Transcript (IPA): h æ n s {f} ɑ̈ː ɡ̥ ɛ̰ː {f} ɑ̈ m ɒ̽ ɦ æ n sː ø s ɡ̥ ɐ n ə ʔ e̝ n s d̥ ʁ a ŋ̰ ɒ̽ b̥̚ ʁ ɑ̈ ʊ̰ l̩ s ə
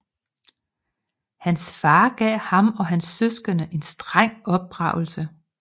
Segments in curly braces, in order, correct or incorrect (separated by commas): correct, incorrect